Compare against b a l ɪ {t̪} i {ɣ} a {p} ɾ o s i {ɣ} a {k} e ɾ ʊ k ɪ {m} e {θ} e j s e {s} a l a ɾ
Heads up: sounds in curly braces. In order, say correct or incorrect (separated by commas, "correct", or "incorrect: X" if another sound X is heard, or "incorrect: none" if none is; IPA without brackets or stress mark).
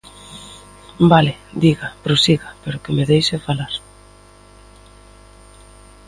incorrect: d̪, correct, correct, correct, incorrect: p, correct, incorrect: ð, incorrect: f